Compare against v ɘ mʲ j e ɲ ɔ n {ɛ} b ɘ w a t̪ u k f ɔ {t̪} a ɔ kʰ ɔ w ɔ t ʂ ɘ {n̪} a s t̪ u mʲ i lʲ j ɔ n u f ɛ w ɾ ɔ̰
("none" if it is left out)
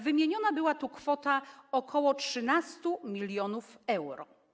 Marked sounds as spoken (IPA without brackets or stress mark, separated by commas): a, t̪, n̪